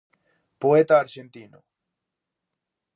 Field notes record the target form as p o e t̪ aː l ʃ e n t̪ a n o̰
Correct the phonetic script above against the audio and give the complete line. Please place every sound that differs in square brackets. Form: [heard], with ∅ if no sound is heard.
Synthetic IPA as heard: p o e t̪ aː [ɾ] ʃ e n t̪ [i] n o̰

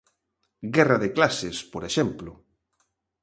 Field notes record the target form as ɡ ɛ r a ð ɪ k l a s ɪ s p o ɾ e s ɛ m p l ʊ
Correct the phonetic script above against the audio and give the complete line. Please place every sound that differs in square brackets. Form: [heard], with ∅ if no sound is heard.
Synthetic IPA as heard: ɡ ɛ r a ð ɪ k l a s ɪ s p o ɾ e [ʃ] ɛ m p l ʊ

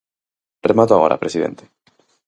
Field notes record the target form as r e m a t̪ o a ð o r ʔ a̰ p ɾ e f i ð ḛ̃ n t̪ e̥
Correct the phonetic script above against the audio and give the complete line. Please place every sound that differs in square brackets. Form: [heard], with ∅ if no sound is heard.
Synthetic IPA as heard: r e m a t̪ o a [ɣ] o [ɾ] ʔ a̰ p ɾ e [s] i ð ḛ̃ n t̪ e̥

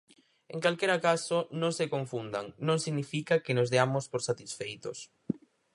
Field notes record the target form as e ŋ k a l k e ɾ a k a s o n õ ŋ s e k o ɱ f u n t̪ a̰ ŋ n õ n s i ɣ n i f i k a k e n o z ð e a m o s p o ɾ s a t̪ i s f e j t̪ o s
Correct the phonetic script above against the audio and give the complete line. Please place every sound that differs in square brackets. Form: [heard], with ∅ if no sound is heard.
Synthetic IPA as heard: e ŋ k a l k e ɾ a k a s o n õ ŋ s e k o ɱ f u n [d̪] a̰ ŋ n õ [ŋ] s i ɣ n i f i k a k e n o z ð e a m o s p o ɾ s a t̪ i s f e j t̪ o s

